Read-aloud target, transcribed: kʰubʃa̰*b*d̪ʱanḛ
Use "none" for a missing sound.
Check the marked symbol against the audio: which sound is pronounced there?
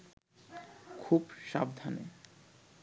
b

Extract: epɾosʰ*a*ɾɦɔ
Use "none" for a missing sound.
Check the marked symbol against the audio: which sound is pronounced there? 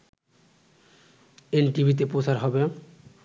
a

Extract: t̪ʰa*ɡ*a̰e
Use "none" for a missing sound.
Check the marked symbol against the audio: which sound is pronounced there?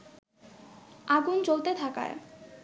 k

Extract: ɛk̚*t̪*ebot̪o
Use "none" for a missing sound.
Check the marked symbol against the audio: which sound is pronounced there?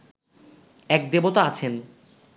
d̪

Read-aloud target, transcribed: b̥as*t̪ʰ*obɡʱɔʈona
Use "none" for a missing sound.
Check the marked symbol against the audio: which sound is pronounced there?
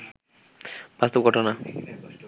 t̪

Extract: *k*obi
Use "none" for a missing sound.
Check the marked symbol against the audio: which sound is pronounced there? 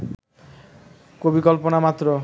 k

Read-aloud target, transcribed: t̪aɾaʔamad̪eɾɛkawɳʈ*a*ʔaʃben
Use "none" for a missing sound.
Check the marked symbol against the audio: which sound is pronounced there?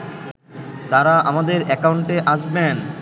e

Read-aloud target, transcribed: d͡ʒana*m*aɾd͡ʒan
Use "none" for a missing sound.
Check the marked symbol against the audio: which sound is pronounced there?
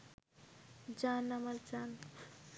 m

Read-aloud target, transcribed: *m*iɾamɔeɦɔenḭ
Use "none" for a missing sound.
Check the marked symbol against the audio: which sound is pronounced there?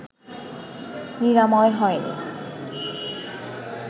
n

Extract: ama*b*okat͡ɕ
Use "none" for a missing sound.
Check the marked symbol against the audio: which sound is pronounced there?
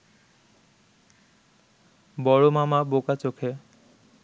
b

